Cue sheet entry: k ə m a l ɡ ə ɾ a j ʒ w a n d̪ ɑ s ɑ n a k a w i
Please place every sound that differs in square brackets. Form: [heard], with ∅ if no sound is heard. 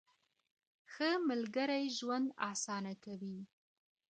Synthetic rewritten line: [x] ə m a l ɡ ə ɾ a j ʒ w a n d̪ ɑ s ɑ n a k a w i